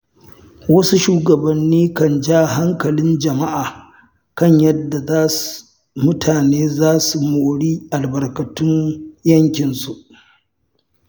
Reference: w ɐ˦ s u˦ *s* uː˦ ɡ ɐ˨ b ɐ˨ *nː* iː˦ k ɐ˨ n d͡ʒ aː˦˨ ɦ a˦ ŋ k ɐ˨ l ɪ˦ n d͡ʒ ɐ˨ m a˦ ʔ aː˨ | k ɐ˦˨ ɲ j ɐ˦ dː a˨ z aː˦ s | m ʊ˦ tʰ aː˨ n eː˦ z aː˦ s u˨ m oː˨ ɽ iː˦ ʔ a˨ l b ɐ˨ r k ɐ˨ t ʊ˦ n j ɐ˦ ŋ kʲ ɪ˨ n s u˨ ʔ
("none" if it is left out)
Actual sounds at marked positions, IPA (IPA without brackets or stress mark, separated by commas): ʃ, nː